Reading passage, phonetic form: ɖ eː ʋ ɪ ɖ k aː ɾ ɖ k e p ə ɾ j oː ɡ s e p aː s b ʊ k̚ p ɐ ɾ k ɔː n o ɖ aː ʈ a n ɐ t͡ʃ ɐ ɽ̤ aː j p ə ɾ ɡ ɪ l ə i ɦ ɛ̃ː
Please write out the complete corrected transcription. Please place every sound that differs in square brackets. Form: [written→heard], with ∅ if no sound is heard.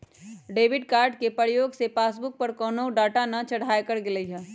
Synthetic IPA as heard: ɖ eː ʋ ɪ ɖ k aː ɾ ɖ k e p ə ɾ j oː ɡ s e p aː s b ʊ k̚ p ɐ ɾ k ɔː n o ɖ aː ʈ a n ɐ t͡ʃ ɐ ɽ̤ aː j [p→k] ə ɾ ɡ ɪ l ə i ɦ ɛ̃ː